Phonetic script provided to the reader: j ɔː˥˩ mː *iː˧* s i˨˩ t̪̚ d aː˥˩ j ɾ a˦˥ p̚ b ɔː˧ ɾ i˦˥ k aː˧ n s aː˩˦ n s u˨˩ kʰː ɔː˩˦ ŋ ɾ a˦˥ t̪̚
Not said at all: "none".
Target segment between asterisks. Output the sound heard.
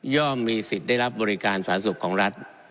iː˧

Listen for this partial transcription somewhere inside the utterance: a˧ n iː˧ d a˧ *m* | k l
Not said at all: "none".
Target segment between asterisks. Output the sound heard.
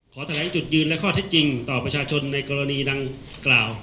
ŋ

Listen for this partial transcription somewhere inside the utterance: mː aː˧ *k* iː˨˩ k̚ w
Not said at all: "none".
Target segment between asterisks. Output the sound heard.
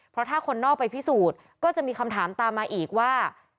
ʔ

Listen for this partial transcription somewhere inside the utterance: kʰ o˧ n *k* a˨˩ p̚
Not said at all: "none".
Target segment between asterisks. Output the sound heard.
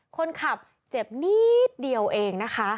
kʰ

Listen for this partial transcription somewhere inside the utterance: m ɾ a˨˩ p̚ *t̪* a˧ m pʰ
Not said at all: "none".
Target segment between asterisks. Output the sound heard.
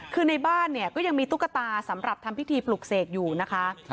t̪ʰ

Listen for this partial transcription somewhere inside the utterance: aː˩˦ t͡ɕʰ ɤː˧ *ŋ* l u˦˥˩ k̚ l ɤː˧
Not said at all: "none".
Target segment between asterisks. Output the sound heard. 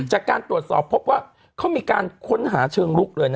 ŋ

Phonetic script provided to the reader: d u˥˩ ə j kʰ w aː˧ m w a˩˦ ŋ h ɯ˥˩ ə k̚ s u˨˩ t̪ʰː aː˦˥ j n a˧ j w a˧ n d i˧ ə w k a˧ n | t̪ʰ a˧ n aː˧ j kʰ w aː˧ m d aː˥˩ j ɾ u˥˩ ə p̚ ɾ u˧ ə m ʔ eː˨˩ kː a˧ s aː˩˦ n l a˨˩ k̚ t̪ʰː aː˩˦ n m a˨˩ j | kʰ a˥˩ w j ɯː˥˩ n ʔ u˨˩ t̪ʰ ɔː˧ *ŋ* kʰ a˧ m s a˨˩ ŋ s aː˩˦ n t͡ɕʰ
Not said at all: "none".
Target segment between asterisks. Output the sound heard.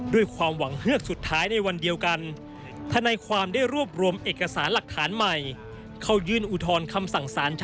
n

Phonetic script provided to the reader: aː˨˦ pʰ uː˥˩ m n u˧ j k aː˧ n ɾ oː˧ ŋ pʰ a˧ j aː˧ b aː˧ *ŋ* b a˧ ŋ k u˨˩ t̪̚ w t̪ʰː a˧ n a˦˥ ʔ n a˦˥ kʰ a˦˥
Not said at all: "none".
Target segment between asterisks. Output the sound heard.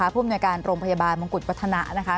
n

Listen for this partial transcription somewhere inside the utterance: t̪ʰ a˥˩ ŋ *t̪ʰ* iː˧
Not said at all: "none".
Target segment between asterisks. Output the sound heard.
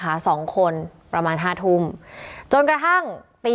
t̪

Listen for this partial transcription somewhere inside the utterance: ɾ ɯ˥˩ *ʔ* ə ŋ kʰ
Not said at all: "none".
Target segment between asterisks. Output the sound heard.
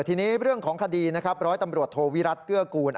none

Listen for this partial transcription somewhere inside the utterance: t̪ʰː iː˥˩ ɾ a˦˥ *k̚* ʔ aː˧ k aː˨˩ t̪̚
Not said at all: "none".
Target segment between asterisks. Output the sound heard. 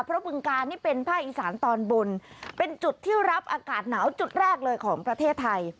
p̚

